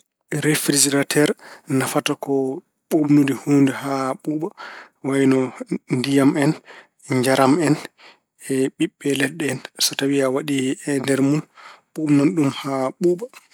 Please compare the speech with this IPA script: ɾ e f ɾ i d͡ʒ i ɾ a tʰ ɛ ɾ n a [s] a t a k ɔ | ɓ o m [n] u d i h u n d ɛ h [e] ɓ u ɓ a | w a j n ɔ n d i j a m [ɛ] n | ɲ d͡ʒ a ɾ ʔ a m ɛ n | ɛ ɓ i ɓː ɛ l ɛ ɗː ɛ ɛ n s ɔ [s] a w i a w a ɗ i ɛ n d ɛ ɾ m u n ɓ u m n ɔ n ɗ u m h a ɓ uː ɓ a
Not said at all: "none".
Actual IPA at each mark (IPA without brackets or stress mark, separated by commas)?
f, n, a, ɛ, t